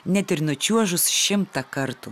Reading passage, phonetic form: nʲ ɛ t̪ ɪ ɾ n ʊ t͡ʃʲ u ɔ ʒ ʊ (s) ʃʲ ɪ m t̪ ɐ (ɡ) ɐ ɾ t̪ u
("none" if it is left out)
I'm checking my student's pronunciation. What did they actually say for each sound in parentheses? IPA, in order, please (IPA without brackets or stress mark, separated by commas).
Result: s, k